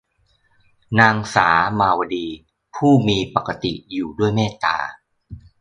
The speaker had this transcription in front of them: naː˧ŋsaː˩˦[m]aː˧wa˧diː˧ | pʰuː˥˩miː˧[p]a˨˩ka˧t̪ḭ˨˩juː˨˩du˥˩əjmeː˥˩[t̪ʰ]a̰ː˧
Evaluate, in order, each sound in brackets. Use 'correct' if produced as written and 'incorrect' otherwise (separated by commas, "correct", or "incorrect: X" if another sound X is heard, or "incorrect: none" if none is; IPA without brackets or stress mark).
correct, correct, incorrect: t̪